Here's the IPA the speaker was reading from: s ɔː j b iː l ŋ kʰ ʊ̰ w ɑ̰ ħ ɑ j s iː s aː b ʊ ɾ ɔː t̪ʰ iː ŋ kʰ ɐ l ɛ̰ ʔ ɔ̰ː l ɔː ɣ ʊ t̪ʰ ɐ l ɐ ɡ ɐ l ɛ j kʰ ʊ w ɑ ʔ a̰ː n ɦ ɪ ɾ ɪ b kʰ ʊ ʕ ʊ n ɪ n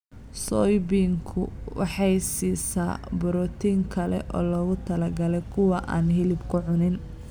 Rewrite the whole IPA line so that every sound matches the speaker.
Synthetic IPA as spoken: s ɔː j b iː ŋ kʰ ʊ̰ w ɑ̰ ħ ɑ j s iː s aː b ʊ ɾ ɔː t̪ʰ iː ŋ kʰ ɐ l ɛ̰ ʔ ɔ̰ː l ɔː ɣ ʊ t̪ʰ ɐ l ɐ ɡ ɐ l ɛ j kʰ ʊ w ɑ ʔ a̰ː n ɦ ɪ l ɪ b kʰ ʊ ʕ ʊ n ɪ n

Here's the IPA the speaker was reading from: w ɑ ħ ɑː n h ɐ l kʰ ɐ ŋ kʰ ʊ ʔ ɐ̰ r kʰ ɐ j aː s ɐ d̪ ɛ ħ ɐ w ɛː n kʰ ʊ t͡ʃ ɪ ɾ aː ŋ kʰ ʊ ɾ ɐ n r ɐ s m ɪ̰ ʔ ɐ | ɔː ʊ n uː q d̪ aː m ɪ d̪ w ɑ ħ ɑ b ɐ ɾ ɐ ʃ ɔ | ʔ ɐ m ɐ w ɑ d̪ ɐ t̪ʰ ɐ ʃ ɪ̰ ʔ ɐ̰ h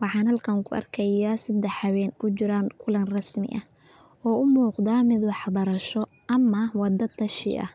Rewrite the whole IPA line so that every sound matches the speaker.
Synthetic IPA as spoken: w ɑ ħ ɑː n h ɐ l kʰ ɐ ŋ kʰ ʊ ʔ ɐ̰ r kʰ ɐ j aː s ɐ d̪ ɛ ħ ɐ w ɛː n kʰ ʊ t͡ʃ ɪ ɾ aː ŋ kʰ ʊ l ɐ n r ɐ s m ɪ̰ ʔ ɐ | ɔː ʊ m uː q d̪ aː m ɪ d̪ w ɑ ħ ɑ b ɐ ɾ ɐ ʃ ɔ | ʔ ɐ m ɐ w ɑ d̪ ɐ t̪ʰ ɐ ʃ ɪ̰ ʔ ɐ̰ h

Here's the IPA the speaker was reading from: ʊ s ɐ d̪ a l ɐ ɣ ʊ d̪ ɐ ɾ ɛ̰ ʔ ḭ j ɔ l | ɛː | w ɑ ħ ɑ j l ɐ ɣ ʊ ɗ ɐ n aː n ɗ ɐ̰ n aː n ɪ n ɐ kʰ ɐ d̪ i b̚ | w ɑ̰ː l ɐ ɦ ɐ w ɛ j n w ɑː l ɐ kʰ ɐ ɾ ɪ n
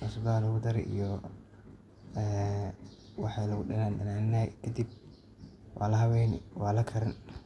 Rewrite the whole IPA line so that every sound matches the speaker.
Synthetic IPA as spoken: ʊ s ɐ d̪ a l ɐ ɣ ʊ d̪ ɐ ɾ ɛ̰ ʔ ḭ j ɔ | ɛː | w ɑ ħ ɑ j l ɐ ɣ ʊ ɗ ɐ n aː n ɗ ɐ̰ n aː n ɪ n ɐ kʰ ɐ d̪ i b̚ | w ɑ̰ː l ɐ ɦ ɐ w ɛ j n w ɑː l ɐ kʰ ɐ ɾ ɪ n

